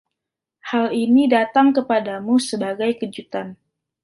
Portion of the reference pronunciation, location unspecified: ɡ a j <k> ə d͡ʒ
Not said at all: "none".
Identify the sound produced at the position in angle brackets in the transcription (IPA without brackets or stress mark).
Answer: k